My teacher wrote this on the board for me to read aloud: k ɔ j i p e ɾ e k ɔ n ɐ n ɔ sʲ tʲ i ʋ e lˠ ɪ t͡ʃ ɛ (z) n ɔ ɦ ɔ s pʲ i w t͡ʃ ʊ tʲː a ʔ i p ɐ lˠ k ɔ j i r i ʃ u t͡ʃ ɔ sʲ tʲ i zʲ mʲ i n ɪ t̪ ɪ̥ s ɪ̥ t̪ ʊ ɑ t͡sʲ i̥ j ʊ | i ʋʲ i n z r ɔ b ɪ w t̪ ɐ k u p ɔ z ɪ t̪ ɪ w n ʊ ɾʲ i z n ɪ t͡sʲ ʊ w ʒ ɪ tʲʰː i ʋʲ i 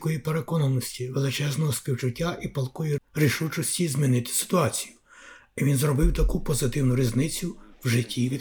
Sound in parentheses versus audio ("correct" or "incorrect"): correct